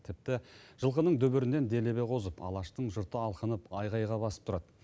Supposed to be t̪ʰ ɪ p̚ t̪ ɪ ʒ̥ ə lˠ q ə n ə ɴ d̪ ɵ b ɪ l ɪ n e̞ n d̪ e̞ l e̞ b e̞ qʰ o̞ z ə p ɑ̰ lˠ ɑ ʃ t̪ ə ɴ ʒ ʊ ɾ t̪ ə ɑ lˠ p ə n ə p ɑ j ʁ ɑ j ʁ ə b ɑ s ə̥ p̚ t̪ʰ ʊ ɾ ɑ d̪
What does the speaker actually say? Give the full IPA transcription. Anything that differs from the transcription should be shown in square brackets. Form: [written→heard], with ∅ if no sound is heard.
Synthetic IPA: t̪ʰ ɪ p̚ t̪ ɪ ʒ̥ ə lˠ q ə n ə ɴ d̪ ɵ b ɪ [l→ɾ] ɪ n e̞ n d̪ e̞ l e̞ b e̞ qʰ o̞ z ə p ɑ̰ lˠ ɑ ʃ t̪ ə ɴ ʒ ʊ ɾ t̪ ə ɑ lˠ [p→q] ə n ə p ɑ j ʁ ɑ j ʁ [ə→ɑ] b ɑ s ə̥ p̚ t̪ʰ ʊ ɾ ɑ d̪